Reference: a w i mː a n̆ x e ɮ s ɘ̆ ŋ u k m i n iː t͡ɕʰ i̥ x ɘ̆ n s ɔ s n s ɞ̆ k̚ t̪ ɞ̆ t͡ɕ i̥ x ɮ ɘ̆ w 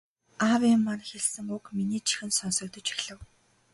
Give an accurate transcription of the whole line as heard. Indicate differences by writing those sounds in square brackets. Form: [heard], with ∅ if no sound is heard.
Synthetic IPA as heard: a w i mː a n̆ x e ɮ s ɘ̆ ŋ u k m i n iː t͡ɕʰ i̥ x ɘ̆ n s ɔ [∅] n s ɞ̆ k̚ t̪ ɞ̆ t͡ɕ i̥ x ɮ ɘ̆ w